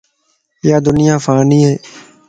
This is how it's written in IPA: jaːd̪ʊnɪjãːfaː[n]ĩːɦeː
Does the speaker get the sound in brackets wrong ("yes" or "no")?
no